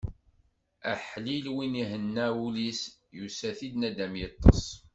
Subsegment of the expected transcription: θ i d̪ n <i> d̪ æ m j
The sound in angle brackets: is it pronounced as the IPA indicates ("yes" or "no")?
no